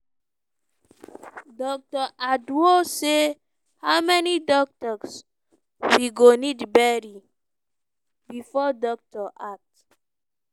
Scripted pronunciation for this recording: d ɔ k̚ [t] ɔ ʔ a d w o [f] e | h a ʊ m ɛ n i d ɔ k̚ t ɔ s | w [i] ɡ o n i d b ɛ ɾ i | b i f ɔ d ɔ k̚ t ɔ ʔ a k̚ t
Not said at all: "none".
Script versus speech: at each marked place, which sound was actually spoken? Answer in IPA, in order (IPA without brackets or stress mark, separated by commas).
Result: t, s, i